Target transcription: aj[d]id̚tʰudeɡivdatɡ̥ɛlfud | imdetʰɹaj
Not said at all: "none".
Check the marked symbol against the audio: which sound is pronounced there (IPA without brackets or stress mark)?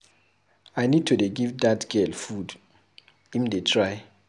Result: n